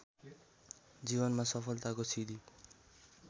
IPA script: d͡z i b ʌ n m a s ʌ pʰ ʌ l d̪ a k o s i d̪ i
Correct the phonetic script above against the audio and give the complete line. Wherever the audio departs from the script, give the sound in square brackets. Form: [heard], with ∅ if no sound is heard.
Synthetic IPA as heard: d͡z i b ʌ n m a s ʌ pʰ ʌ l [t̪] a k o s i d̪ i